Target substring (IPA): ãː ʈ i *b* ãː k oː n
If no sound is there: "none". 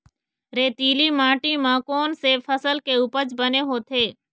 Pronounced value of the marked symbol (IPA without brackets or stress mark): m